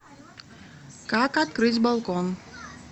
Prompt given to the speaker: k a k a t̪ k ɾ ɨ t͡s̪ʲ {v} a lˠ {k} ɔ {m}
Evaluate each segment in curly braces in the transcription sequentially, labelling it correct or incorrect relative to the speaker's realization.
incorrect: b, correct, incorrect: n

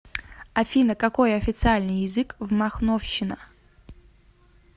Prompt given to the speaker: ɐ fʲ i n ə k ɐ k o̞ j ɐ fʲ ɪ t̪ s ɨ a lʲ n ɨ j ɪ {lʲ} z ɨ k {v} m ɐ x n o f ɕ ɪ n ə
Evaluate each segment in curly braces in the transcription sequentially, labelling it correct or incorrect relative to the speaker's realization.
incorrect: none, correct

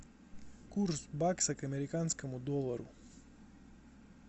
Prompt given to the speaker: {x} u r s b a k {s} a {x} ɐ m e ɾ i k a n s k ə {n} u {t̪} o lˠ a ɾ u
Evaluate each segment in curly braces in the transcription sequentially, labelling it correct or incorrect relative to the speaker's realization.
incorrect: k, correct, incorrect: k, incorrect: m, incorrect: d̪

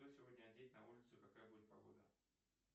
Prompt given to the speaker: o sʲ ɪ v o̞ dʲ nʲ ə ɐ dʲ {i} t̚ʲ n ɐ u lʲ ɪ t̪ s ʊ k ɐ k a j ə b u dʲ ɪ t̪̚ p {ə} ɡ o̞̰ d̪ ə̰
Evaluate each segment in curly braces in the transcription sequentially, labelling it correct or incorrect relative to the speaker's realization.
incorrect: e, incorrect: ɐ

